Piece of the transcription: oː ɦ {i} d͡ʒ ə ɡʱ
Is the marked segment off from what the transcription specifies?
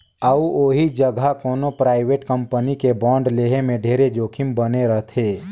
no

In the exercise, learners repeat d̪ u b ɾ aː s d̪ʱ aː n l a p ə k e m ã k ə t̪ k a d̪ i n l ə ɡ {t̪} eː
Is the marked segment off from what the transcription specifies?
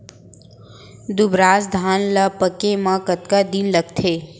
yes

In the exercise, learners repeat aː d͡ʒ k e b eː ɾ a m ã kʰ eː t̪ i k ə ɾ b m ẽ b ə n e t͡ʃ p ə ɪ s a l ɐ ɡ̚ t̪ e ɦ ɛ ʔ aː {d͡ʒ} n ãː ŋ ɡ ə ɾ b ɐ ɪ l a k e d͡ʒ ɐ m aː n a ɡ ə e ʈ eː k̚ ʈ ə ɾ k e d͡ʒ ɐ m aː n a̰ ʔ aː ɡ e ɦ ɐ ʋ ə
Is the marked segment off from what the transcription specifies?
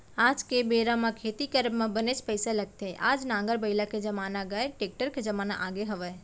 no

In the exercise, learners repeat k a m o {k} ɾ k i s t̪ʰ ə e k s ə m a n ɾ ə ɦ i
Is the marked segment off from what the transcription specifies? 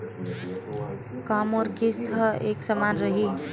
yes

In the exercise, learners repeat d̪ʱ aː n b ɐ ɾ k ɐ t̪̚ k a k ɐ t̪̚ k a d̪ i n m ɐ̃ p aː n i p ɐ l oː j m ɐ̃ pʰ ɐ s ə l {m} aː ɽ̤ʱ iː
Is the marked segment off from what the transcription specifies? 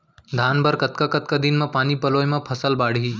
yes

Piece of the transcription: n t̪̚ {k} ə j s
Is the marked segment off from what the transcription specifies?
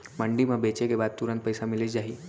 yes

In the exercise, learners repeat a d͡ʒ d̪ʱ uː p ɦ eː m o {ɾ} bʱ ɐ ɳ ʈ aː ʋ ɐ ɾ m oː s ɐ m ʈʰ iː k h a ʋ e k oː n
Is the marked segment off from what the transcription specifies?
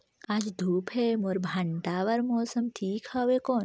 no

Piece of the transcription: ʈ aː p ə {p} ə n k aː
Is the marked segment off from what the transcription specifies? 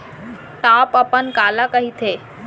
no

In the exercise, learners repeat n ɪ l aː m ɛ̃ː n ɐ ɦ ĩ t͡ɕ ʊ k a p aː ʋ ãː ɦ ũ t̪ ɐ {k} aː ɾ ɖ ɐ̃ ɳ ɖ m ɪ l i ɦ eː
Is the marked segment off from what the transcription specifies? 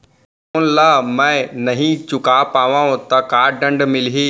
no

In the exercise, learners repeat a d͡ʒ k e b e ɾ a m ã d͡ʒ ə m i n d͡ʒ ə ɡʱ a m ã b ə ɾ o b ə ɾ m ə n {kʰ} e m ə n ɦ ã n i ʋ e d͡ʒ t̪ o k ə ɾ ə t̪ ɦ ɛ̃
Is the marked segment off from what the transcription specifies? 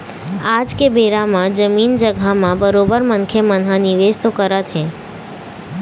no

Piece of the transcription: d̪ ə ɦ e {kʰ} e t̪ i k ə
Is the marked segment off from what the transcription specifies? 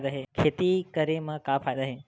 no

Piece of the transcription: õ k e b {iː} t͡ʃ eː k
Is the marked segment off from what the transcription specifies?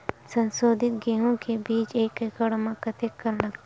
no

